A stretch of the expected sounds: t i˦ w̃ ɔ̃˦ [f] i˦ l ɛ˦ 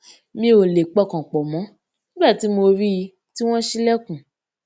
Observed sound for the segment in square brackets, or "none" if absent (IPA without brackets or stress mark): ʃ